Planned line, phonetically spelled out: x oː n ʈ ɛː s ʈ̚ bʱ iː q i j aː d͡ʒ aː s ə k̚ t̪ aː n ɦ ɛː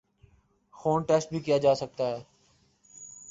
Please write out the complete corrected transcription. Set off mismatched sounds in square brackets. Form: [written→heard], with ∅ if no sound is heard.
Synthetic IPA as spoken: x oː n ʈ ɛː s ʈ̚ bʱ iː [q→k] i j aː d͡ʒ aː s ə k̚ t̪ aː [n→∅] ɦ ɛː